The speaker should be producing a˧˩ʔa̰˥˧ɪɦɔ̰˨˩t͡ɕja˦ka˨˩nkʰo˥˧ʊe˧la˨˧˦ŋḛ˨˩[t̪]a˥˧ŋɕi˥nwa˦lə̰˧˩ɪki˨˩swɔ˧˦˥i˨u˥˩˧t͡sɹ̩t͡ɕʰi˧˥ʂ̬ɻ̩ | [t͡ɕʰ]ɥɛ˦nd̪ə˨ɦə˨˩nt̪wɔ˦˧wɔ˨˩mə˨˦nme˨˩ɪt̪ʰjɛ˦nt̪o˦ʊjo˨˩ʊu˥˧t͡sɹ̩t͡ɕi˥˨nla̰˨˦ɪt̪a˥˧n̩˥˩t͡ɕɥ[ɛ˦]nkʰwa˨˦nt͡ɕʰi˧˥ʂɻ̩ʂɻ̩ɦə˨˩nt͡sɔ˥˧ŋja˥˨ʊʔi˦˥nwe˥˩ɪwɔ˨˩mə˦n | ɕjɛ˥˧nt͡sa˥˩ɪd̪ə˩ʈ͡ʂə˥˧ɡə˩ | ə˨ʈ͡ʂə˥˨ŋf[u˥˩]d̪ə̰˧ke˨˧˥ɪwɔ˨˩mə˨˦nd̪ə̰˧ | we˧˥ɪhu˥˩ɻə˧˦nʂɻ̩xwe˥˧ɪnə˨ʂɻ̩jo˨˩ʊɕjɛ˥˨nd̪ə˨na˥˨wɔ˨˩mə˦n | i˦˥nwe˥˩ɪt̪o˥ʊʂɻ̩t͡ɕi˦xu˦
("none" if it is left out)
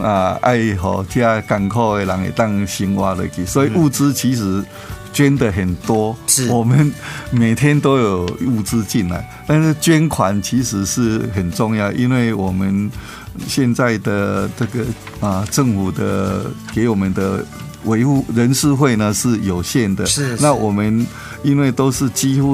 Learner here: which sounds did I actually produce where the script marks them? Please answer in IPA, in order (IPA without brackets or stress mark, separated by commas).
t̪, t͡ɕ, ɛ˦, u˨˩